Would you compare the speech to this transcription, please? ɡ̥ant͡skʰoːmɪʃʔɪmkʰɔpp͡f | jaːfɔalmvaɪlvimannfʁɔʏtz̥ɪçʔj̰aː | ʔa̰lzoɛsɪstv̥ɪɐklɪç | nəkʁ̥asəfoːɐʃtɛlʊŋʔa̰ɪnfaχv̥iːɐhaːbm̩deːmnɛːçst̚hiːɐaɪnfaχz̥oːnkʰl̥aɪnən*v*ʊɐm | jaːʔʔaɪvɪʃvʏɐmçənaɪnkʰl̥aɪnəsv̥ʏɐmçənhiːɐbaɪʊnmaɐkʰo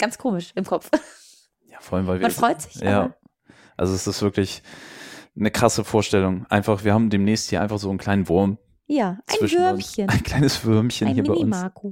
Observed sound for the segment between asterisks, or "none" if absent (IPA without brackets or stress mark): v